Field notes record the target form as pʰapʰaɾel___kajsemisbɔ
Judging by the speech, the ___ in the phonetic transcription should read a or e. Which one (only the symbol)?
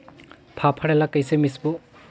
a